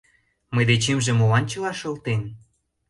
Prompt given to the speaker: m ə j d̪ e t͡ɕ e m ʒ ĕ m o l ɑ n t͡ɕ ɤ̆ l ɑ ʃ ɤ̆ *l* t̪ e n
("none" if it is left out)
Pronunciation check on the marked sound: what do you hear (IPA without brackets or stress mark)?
l